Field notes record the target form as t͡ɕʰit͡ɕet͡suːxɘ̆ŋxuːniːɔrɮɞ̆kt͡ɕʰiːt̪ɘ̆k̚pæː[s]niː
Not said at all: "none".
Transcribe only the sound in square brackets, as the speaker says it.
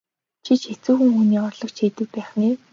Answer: χ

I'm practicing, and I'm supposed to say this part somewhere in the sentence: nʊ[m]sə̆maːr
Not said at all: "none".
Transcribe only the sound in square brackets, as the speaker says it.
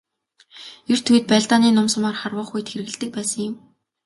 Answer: m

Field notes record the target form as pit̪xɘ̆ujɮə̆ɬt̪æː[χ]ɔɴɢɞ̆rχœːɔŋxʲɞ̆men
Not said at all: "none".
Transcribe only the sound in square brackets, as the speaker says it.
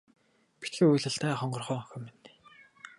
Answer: χ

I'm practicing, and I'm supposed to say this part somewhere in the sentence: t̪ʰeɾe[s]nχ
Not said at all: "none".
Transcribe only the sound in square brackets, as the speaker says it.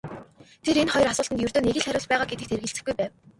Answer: none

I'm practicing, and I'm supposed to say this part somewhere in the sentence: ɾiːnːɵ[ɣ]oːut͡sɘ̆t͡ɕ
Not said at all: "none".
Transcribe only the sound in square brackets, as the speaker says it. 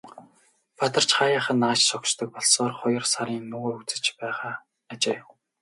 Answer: ɣ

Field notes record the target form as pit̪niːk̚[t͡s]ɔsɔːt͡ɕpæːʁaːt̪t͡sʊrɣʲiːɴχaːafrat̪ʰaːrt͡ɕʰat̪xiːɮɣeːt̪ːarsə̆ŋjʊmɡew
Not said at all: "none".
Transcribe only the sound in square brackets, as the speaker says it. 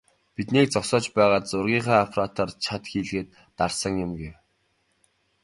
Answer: t͡s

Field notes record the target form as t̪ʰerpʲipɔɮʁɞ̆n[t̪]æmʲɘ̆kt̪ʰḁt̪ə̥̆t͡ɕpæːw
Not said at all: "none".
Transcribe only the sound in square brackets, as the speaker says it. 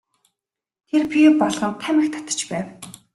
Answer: t̪ʰ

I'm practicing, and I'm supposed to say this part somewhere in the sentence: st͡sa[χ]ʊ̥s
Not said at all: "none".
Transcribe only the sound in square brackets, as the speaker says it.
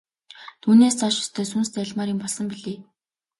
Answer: ʃ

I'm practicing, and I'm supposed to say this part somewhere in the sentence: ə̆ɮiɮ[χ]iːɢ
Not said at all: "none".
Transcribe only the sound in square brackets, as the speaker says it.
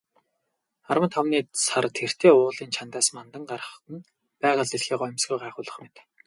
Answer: x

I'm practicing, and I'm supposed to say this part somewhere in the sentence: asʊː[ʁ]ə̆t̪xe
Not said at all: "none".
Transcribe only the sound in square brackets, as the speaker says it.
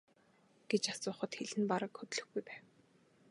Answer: χ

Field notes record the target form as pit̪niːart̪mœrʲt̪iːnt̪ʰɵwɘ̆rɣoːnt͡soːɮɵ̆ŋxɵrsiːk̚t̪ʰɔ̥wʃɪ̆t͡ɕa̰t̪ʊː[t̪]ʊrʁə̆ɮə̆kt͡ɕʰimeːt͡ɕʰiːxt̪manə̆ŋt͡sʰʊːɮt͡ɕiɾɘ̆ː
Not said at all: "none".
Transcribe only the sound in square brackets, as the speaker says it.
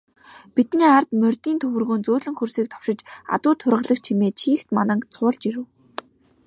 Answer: t̪ʰ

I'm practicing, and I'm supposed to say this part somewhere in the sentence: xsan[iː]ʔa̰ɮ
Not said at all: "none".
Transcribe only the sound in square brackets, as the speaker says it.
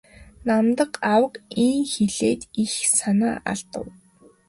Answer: aː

